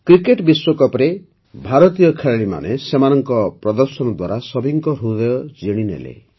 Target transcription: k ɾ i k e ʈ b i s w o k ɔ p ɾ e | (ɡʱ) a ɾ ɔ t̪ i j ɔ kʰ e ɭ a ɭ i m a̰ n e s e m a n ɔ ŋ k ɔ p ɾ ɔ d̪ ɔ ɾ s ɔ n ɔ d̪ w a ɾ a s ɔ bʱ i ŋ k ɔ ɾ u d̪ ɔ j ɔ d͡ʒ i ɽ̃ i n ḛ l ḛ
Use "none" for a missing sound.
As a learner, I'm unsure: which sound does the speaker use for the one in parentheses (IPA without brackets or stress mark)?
bʱ